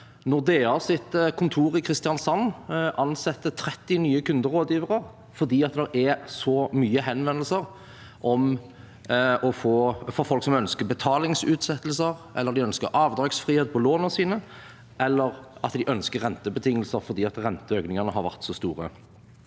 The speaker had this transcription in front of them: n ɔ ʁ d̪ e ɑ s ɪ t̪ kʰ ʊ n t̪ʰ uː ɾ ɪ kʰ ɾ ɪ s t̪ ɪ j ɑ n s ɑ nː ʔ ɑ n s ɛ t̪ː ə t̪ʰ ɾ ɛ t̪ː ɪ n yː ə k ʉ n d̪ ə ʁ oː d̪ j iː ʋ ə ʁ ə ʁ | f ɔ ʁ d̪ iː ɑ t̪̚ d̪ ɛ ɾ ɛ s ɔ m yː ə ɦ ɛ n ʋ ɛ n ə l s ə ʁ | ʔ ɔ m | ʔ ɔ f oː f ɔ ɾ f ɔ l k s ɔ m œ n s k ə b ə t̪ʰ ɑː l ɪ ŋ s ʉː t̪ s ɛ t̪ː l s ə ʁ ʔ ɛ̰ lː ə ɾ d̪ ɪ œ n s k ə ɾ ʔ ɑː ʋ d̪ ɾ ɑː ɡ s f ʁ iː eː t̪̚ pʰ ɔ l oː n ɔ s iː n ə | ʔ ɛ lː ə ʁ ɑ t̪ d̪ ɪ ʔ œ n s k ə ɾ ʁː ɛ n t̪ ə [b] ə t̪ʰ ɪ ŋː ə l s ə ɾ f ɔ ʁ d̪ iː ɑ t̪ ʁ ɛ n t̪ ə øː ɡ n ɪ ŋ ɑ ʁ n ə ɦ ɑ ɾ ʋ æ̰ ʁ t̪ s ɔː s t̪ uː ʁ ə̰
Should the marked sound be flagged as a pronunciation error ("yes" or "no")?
no